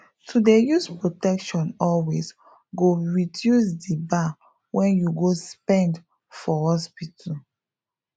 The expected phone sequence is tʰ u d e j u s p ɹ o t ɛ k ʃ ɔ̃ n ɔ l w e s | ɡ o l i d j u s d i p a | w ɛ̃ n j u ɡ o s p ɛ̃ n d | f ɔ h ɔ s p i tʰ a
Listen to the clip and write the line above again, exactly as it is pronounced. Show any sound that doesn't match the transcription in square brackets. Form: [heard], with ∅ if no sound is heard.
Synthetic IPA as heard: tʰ u d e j u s p ɹ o t ɛ k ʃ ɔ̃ n ɔ l w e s | ɡ o [ɹ] i d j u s d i [b] a | w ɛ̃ n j u ɡ o s p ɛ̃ n d | f ɔ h ɔ s p i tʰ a